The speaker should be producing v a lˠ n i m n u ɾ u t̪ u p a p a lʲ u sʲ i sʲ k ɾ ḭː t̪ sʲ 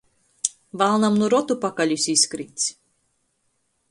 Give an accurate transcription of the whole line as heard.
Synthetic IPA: v a lˠ n a m n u ɾ ɔ t̪ u p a k a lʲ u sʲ i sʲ k ɾ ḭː t̪ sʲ

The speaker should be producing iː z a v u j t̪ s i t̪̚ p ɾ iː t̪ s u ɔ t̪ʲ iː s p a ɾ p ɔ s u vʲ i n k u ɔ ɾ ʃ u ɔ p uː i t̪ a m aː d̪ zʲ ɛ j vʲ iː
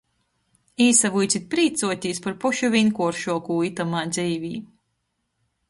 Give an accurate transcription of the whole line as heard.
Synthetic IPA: iː s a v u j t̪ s i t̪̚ p ɾ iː t̪ s u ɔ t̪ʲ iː s p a ɾ p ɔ ʃ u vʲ i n k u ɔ ɾ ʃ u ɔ k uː i t̪ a m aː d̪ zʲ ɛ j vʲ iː

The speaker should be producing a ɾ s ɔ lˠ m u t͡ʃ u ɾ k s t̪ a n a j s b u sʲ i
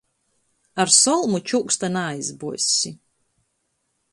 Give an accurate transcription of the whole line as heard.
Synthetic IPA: a ɾ s ɔ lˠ m u t͡ʃ u k s t̪ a n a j z b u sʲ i

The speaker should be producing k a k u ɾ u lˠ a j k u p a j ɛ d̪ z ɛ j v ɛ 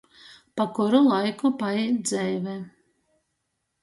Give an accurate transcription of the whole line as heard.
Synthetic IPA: p a k u ɾ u lˠ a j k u p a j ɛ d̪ z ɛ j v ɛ

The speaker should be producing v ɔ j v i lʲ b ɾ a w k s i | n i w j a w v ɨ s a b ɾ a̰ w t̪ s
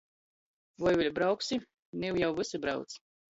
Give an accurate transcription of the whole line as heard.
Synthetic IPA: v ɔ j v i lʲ b ɾ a w k s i | n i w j a w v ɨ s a b ɾ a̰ w t̪ s

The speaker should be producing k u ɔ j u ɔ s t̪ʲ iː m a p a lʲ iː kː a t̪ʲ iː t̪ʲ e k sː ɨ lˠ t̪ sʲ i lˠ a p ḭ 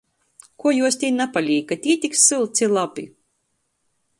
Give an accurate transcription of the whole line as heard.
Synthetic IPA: k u ɔ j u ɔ s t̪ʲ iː n a p a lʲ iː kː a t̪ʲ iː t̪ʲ i k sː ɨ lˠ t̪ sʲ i lˠ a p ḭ

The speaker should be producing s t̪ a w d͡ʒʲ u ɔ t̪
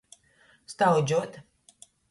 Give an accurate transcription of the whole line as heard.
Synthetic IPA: s t̪ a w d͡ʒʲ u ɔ t̪

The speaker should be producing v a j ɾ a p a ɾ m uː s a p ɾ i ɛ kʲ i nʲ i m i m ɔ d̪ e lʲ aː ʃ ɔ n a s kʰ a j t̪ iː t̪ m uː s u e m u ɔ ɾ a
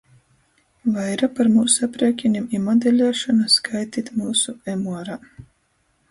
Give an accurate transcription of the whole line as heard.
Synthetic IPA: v a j ɾ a p a ɾ m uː s a p ɾ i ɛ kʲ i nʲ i m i m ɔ d̪ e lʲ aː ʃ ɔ n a s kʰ a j t̪ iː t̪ m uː s u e m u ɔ ɾ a

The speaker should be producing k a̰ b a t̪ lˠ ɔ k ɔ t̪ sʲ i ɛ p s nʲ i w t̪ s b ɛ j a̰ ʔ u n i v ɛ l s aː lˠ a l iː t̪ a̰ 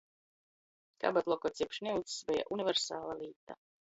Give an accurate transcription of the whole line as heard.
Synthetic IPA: k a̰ b a t̪ lˠ ɔ k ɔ t̪ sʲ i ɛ p ʃ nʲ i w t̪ s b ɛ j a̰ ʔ u n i v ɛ ɾ s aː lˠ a l iː t̪ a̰

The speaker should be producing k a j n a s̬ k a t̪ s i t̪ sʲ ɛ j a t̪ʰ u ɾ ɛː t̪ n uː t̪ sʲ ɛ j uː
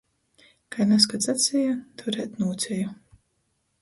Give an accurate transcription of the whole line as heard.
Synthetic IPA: k a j n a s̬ k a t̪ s a t̪ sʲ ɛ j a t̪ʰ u ɾ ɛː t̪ n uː t̪ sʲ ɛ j u

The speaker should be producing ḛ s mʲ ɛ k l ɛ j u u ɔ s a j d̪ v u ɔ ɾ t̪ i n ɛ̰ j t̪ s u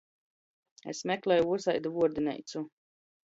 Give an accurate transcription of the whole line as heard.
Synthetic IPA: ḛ s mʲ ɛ k l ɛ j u u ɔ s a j d̪ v u ɔ ɾ d̪ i n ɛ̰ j t̪ s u

